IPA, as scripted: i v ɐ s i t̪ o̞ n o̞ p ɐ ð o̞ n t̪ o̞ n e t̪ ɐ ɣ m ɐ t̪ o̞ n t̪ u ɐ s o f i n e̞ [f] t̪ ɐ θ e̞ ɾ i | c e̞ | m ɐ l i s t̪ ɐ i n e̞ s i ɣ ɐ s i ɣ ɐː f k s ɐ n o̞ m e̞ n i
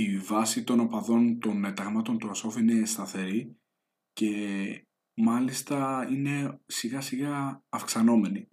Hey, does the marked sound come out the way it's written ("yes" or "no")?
no